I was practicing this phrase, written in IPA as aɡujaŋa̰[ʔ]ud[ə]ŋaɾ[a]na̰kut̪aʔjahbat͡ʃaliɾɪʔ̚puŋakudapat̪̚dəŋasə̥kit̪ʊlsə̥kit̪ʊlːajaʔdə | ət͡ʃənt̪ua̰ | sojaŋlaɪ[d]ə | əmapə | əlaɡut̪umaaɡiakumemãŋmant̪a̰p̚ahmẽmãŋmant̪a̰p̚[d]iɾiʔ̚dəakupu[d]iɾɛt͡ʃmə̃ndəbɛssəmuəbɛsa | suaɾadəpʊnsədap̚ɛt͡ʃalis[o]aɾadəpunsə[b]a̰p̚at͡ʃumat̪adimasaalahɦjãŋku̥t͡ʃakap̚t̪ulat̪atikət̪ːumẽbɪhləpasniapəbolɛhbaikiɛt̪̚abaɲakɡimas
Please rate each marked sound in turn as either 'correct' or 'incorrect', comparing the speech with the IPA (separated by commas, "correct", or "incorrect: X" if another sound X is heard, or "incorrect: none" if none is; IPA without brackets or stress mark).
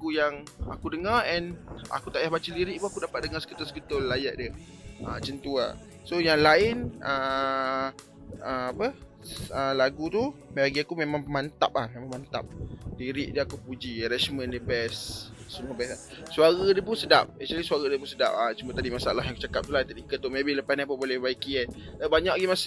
incorrect: k, correct, incorrect: ɛ, incorrect: n, correct, incorrect: d͡ʒ, incorrect: u, incorrect: d